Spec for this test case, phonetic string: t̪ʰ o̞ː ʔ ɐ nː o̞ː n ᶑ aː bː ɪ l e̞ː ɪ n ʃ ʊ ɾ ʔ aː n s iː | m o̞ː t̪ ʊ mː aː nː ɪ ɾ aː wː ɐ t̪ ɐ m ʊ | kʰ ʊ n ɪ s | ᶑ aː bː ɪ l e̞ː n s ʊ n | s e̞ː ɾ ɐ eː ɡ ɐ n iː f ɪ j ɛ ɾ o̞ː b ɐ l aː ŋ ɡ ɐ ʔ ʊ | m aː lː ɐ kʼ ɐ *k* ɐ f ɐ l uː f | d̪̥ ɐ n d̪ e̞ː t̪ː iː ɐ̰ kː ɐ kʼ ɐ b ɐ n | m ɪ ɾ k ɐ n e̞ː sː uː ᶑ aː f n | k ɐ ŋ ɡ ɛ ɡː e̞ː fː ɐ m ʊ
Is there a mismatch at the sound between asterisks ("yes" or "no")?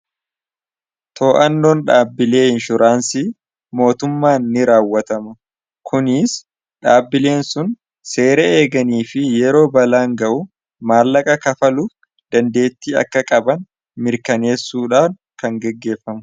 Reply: no